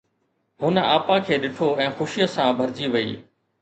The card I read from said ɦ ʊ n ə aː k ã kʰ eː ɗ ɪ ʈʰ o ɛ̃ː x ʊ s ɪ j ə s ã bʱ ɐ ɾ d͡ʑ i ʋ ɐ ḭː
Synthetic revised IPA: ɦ ʊ n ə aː p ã kʰ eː ɗ ɪ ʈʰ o ɛ̃ː x ʊ ʃ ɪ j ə s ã bʱ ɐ ɾ d͡ʑ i ʋ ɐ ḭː